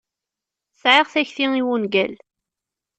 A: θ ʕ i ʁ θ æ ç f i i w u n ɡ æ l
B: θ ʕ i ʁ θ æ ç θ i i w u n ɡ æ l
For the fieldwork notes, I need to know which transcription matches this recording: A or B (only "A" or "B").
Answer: B